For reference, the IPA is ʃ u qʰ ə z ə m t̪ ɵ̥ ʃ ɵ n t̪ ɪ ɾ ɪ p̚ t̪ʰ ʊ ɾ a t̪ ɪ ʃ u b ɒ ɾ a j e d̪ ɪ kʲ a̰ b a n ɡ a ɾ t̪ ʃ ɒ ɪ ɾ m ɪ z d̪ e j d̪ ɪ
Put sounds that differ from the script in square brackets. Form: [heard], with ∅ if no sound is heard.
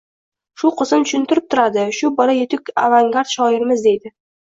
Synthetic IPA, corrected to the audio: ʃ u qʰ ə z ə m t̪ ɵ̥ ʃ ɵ n t̪ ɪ ɾ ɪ p̚ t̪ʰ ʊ ɾ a [d̪] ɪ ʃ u b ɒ ɾ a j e [t̪] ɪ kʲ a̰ [v] a [ŋ] ɡ a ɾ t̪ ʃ ɒ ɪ ɾ m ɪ z d̪ e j d̪ ɪ